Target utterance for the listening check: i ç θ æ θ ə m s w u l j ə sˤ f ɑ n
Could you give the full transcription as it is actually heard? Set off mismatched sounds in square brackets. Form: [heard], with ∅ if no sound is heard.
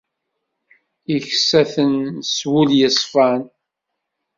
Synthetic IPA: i ç [s] æ θ ə [n] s w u l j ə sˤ f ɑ n